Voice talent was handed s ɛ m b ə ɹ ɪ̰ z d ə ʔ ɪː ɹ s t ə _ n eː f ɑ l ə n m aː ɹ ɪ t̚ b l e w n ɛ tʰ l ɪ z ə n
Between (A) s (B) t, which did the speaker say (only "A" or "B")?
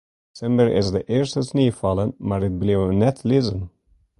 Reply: A